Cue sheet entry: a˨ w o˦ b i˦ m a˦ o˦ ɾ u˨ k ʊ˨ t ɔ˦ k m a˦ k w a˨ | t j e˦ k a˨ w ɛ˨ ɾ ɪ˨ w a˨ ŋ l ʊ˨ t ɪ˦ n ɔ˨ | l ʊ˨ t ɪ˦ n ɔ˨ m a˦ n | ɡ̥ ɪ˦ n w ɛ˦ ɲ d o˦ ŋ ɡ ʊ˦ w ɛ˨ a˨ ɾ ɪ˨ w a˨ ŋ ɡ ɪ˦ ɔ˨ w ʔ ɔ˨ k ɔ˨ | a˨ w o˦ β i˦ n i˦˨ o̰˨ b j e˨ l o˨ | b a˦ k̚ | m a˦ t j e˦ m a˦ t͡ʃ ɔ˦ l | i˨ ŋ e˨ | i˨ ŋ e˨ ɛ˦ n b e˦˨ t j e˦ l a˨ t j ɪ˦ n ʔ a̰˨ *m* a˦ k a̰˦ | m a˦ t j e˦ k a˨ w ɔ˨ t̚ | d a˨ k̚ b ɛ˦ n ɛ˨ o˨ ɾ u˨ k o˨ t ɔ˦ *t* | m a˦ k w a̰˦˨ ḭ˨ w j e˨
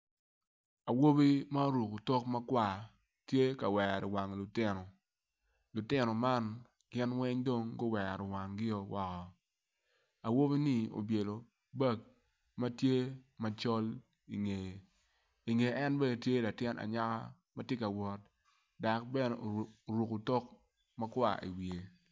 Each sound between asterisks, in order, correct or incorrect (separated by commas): incorrect, incorrect